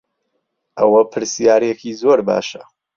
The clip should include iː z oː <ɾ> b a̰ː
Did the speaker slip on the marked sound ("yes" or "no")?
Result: no